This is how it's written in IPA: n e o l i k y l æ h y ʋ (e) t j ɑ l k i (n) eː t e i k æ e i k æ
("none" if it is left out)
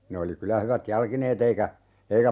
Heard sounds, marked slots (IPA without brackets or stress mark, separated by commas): æ, n